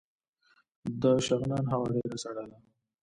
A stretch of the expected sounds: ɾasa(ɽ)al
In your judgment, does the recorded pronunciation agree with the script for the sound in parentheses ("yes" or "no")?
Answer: yes